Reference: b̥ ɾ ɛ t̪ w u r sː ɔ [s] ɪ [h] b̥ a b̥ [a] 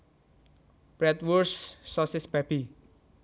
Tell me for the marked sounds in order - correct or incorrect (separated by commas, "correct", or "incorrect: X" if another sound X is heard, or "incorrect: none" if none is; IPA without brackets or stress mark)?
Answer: correct, incorrect: s, incorrect: i